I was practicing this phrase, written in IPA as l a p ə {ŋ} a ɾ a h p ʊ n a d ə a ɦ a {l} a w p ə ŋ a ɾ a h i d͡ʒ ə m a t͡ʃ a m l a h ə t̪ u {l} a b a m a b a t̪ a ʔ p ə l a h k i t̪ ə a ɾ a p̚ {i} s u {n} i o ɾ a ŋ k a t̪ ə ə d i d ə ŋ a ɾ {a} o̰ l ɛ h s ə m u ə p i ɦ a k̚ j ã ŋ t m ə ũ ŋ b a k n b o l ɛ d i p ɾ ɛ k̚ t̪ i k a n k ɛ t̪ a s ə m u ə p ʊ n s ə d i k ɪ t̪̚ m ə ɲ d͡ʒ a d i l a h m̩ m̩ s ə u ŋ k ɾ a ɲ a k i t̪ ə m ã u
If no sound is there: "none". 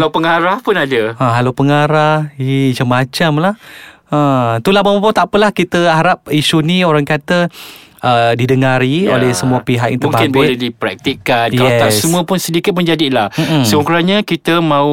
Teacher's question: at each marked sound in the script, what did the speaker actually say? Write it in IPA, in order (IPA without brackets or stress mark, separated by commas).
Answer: ŋ, l, l, i, n, i